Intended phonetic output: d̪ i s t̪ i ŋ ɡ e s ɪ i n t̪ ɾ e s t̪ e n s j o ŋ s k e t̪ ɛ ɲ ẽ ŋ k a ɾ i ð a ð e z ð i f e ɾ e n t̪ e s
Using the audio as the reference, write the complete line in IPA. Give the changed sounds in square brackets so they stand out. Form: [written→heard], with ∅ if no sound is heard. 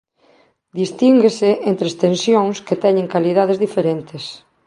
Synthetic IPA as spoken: d̪ i s t̪ i ŋ ɡ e s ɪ [i→e] n t̪ ɾ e s t̪ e n s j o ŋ s k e t̪ ɛ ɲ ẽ ŋ k a [ɾ→l] i ð a ð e z ð i f e ɾ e n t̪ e s